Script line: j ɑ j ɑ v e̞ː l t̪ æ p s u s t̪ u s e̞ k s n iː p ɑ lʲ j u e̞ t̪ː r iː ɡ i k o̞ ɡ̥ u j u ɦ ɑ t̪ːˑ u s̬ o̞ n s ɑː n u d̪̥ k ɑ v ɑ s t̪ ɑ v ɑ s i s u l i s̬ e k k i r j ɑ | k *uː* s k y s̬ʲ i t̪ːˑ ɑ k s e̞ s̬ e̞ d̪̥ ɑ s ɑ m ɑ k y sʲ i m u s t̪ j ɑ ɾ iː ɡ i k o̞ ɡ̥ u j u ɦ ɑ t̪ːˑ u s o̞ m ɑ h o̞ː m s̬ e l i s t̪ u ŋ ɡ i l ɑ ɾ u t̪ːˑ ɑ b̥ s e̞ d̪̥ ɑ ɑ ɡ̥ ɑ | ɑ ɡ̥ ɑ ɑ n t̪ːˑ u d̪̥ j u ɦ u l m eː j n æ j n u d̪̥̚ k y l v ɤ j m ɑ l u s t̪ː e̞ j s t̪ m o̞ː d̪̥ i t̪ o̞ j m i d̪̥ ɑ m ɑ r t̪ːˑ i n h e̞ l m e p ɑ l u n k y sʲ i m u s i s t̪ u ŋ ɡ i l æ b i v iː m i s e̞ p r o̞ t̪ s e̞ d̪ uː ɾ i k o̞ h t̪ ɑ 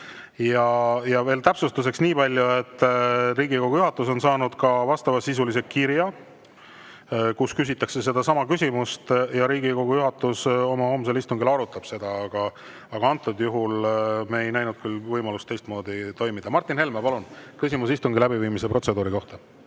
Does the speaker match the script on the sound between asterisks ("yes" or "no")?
no